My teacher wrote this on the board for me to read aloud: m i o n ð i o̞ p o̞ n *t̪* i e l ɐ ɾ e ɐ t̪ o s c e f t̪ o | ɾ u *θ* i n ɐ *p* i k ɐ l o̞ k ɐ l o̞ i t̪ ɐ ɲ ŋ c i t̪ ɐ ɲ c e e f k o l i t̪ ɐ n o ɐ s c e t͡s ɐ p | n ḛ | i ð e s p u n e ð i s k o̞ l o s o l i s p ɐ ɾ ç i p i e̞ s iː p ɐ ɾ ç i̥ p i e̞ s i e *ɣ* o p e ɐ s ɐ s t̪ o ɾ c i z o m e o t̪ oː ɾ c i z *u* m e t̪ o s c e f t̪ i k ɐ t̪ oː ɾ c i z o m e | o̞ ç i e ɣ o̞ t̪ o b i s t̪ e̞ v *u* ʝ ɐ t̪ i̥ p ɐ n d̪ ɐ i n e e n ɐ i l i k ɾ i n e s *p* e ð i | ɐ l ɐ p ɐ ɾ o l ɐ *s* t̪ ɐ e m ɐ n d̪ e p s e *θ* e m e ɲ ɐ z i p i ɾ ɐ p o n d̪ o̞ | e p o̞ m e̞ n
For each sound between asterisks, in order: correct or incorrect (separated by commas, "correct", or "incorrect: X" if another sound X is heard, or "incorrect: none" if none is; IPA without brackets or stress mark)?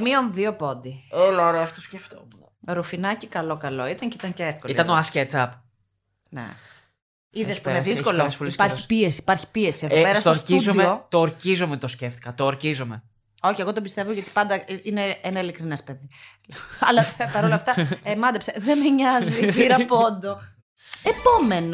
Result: incorrect: d̪, incorrect: f, incorrect: c, incorrect: ð, incorrect: o, incorrect: o, correct, incorrect: f, incorrect: ð